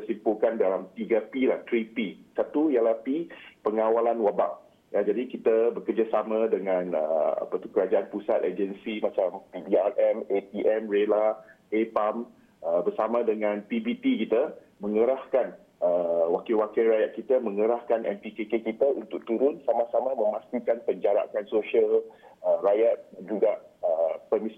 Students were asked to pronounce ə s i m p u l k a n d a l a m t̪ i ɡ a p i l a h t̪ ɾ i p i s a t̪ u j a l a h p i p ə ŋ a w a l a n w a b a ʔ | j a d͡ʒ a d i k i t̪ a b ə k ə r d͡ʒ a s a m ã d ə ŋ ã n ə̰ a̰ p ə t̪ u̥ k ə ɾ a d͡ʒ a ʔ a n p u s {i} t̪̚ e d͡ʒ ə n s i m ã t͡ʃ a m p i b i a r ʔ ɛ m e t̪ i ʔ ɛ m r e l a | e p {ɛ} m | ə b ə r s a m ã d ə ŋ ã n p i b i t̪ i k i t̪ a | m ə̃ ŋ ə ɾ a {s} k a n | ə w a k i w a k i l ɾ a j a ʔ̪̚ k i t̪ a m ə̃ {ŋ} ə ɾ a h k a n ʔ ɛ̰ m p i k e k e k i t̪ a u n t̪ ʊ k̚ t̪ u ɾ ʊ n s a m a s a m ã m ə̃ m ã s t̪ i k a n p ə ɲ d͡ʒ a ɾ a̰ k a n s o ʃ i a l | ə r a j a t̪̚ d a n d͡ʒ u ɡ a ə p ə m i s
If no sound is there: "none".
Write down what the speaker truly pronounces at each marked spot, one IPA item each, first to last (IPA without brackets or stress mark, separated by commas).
a, a, h, ŋ